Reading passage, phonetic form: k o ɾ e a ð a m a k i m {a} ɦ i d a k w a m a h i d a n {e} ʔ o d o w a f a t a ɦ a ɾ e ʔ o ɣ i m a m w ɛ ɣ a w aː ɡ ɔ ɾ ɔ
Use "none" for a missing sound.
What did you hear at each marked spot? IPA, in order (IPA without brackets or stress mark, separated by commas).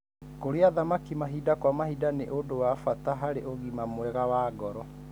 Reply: a, e